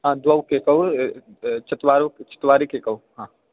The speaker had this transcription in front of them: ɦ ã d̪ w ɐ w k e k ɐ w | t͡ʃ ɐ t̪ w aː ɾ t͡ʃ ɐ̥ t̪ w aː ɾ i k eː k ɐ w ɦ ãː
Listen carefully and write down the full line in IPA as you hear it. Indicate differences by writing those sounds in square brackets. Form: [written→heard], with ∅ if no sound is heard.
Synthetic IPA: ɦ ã d̪ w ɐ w k e k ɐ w | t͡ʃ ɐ t̪ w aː ɾ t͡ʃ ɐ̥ t̪ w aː ɾ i k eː k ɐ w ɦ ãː